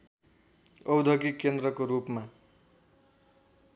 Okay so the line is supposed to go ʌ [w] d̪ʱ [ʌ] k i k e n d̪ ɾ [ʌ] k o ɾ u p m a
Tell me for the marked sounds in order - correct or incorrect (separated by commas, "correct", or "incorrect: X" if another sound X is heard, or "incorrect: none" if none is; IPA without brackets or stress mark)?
correct, correct, correct